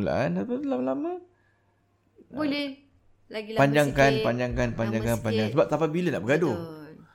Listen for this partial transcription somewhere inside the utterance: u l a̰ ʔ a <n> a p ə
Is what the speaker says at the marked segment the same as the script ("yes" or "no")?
yes